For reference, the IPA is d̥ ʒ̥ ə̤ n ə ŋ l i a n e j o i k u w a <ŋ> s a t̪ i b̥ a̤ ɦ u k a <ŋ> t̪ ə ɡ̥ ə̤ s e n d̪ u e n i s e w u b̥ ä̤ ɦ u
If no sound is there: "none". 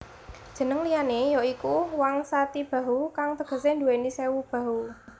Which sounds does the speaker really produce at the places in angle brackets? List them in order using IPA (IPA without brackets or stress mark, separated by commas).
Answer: ŋ, ŋ